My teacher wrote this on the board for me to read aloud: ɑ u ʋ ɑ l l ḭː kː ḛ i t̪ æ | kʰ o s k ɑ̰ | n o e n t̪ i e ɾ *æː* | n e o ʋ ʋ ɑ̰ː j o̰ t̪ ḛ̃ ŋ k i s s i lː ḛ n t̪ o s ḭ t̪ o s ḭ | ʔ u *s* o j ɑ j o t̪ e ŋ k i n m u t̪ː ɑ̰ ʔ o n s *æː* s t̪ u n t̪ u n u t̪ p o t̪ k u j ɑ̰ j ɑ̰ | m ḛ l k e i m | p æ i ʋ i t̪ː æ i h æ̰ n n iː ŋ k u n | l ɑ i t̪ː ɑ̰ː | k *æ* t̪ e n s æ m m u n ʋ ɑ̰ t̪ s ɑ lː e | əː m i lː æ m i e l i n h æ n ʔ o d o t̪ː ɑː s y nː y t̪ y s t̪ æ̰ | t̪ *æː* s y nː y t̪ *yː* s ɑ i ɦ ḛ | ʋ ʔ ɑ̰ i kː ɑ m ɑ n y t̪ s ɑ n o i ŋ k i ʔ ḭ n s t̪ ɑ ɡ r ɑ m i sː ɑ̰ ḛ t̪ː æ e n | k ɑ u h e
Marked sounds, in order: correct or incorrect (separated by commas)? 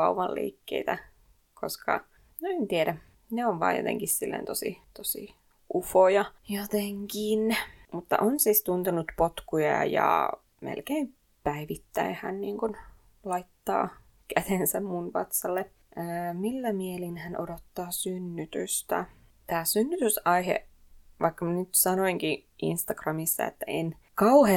incorrect, incorrect, incorrect, correct, correct, incorrect